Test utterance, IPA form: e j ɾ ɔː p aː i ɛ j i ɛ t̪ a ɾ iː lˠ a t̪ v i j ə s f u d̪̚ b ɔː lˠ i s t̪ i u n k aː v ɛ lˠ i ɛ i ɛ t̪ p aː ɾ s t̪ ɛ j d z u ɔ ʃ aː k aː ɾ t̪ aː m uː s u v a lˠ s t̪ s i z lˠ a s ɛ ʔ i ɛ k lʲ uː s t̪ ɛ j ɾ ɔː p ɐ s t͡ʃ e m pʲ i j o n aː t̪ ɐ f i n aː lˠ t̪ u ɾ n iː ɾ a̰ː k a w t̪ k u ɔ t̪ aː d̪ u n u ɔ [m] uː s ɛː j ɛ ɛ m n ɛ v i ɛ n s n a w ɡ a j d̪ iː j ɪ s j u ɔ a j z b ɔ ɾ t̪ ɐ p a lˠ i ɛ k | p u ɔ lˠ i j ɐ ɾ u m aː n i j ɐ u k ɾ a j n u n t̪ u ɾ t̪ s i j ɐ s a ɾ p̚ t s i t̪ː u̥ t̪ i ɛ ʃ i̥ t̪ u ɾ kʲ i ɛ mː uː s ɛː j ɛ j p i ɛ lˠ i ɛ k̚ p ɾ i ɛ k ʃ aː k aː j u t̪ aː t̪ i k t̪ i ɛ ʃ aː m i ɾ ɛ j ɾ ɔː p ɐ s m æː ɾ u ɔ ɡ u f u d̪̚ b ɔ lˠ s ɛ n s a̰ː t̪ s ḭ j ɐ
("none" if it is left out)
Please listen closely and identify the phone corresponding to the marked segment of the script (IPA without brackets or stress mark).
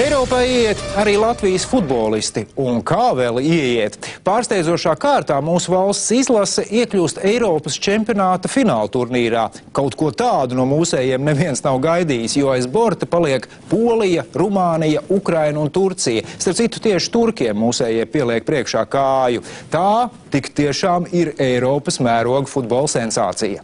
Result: m